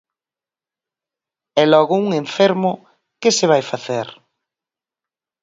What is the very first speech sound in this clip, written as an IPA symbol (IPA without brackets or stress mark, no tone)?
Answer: ɛ